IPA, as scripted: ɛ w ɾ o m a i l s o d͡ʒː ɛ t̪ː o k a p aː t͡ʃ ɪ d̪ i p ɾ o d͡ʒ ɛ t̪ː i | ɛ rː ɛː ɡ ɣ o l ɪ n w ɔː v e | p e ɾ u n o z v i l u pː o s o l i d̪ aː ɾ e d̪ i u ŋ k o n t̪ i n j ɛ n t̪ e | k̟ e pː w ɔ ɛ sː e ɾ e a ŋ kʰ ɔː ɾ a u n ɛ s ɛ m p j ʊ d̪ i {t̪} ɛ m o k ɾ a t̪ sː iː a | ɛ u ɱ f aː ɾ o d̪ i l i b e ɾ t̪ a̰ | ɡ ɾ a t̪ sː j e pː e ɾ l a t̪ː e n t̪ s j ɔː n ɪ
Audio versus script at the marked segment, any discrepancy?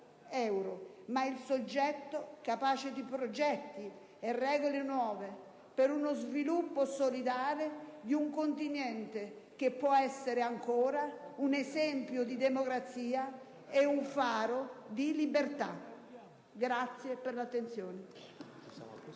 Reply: yes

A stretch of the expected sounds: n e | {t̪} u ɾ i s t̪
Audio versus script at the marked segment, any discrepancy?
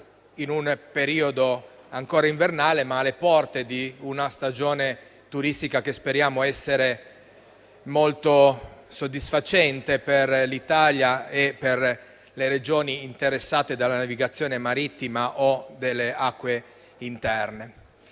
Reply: no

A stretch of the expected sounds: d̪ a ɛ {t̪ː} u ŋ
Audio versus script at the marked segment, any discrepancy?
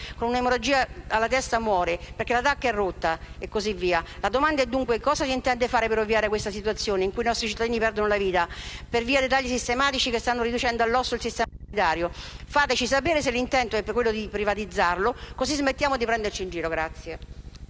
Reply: yes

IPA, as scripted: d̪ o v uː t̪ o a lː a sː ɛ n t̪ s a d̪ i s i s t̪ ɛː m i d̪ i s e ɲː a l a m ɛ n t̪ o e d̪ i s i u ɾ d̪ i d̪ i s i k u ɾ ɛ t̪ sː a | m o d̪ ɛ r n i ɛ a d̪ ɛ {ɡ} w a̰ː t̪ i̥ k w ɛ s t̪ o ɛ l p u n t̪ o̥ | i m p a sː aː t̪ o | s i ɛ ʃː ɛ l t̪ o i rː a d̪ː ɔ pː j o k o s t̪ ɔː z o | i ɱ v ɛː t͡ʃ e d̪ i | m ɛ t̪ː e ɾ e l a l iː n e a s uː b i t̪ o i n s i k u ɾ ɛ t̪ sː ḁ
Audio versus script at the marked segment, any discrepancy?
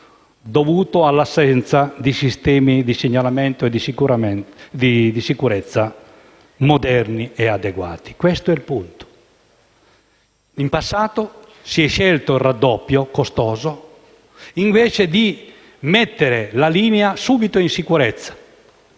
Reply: no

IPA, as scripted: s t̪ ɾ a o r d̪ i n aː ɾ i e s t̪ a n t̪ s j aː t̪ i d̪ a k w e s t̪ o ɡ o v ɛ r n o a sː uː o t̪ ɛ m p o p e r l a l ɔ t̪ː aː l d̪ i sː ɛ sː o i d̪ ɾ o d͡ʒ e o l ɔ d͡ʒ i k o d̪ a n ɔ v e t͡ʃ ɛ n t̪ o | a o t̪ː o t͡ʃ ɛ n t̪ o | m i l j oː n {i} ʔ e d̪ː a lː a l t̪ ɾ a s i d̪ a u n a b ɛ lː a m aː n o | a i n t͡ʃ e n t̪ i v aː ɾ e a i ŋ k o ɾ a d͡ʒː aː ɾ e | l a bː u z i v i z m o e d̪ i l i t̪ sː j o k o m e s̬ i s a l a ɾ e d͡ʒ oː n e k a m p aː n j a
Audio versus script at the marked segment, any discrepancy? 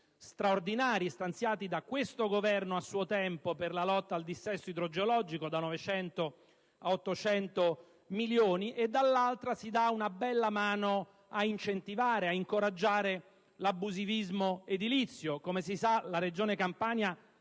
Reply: no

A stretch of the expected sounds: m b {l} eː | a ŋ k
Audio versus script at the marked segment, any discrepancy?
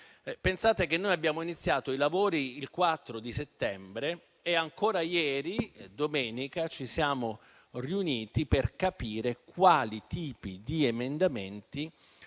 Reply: yes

